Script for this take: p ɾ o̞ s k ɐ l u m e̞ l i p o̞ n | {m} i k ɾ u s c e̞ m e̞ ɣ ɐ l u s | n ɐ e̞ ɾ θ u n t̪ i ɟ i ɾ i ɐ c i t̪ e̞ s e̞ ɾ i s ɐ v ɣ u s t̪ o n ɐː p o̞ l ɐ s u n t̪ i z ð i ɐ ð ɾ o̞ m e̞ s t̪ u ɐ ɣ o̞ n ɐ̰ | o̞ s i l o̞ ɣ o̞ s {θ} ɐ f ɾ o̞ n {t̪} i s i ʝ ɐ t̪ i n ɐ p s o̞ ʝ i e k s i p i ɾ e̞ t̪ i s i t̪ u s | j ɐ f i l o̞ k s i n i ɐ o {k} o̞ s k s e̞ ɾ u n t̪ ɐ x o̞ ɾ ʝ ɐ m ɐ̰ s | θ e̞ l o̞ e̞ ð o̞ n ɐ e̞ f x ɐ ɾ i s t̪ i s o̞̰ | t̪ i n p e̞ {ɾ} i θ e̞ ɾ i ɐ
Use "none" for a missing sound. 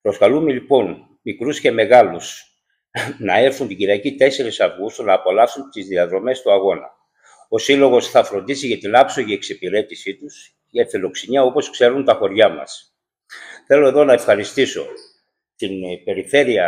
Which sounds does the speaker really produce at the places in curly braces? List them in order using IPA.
m, θ, d̪, p, ɾ

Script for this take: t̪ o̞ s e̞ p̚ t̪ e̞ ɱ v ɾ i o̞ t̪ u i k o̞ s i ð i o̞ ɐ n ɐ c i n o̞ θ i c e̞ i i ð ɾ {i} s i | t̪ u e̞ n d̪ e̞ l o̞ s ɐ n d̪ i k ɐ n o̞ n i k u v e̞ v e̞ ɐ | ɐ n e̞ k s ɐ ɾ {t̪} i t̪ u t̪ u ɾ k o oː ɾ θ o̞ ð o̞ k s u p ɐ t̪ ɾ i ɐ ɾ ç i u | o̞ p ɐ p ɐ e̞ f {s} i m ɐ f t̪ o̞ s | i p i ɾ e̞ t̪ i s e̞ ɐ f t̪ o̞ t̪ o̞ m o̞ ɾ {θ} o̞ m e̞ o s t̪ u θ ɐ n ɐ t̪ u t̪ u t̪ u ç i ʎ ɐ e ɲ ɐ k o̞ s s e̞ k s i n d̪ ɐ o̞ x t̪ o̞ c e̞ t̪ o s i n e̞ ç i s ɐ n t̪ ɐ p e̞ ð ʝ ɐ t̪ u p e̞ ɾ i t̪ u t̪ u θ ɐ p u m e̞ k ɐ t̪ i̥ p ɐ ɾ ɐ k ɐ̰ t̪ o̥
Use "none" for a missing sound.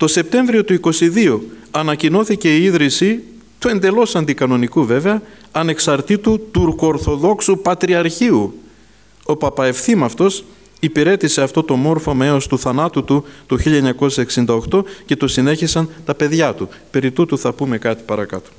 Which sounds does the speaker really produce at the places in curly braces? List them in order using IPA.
i, t̪, θ, f

